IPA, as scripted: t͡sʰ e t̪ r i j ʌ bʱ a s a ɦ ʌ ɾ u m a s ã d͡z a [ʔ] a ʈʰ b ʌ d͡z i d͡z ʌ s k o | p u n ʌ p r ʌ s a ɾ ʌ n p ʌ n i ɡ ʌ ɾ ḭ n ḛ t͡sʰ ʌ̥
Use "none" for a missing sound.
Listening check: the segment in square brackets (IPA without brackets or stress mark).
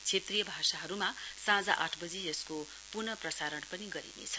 ʔ